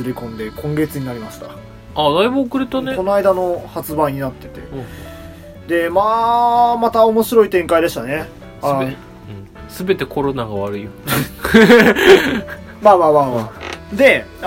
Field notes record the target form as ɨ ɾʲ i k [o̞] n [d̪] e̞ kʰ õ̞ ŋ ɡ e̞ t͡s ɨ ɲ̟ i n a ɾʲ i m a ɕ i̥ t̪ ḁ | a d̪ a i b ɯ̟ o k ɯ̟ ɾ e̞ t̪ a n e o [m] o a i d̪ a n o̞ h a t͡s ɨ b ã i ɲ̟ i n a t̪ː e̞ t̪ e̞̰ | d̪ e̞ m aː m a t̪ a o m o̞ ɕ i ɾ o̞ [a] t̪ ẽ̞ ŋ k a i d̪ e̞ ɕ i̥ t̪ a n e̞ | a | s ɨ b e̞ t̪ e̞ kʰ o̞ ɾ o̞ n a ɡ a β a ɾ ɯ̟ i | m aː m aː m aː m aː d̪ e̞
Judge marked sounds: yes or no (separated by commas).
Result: no, yes, no, no